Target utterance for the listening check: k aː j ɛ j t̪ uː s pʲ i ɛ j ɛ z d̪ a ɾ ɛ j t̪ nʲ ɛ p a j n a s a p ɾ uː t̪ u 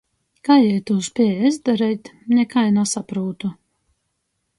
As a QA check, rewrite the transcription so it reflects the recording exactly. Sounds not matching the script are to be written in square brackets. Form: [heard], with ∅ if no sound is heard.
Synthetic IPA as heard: k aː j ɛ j t̪ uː s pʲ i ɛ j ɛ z d̪ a ɾ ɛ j t̪ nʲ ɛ [k] a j n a s a p ɾ uː t̪ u